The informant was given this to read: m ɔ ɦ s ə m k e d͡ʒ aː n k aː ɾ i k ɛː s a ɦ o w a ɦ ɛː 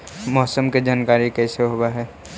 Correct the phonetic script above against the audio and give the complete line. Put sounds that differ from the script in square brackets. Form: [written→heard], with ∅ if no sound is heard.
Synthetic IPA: m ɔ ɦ s ə m k e d͡ʒ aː n k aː ɾ i k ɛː s [a→e] ɦ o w a ɦ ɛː